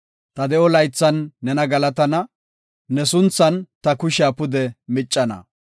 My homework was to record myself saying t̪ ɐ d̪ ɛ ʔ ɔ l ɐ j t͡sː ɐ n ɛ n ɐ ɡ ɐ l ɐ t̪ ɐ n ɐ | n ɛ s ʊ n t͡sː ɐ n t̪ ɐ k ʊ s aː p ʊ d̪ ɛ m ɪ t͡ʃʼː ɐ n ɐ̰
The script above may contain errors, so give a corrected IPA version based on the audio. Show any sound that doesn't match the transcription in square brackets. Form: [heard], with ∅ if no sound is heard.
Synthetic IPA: t̪ ɐ d̪ ɛ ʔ ɔ l ɐ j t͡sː ɐ [nː] ɛ n ɐ ɡ ɐ l ɐ t̪ ɐ n ɐ | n ɛ s ʊ n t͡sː ɐ n t̪ ɐ k ʊ [ʃ] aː p ʊ d̪ ɛ m ɪ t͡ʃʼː ɐ n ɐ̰